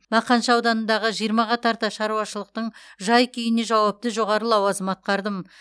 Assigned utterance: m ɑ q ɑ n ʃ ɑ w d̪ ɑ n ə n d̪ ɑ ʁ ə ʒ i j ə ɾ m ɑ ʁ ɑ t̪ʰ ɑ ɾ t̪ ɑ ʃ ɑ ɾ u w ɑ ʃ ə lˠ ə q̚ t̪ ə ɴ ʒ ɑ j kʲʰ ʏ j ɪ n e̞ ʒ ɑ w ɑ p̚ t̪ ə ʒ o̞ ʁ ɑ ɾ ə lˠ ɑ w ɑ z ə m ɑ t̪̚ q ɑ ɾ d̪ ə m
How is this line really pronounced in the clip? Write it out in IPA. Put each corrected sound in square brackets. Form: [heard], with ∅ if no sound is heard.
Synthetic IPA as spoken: m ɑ q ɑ n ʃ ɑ w d̪ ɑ n ə n d̪ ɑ ʁ ə ʒ i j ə ɾ m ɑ ʁ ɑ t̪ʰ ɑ ɾ t̪ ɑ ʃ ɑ ɾ u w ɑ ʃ ə lˠ ə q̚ t̪ ə ɴ ʒ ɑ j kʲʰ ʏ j ɪ n e̞ ʒ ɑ w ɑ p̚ t̪ ə ʒ o̞ ʁ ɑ ɾ ə lˠ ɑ w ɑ z ə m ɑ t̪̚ q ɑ ɾ d̪ ə m